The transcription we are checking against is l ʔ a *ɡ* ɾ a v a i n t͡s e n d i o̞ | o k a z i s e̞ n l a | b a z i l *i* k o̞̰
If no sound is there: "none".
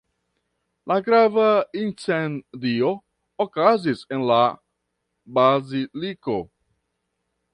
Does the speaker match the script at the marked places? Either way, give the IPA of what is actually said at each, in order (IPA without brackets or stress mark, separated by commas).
ɡ, i